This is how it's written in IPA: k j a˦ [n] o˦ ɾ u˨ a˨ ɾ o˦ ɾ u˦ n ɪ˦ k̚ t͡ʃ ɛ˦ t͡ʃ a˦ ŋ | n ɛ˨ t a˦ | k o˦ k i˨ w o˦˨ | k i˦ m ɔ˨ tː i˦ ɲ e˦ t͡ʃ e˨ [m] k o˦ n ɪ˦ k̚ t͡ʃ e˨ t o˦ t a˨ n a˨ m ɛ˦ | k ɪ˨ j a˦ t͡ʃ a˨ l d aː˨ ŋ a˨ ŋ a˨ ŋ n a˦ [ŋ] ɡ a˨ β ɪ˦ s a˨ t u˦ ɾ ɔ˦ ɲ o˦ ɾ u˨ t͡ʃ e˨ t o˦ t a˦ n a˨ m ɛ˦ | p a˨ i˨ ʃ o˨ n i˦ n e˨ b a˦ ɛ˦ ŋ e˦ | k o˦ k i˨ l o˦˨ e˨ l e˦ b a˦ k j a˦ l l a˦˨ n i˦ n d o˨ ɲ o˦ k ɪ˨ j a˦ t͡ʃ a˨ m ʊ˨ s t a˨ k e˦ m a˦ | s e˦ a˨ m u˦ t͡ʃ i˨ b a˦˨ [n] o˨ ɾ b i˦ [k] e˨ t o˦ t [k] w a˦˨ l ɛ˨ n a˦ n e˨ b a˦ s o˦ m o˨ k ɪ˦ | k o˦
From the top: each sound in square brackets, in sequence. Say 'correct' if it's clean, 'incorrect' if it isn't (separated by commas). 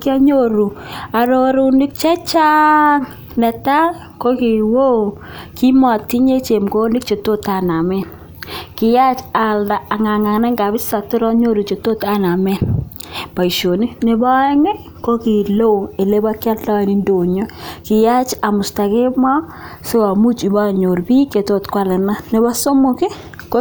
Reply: incorrect, correct, correct, incorrect, correct, correct